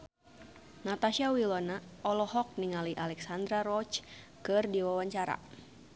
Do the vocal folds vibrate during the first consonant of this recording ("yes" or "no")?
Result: yes